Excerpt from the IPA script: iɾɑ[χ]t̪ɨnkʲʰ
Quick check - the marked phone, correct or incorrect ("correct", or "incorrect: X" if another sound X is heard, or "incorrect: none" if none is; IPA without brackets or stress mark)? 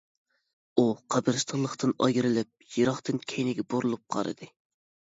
correct